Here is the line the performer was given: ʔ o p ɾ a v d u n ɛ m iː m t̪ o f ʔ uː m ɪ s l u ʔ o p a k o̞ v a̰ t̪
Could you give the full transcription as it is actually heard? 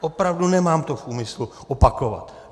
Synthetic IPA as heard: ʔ o p ɾ a v d u n ɛ m aː m t̪ o f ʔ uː m ɪ s l u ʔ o p a k o̞ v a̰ t̪